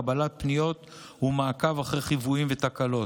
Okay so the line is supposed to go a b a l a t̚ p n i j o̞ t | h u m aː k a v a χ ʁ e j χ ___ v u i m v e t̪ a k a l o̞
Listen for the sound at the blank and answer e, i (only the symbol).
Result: i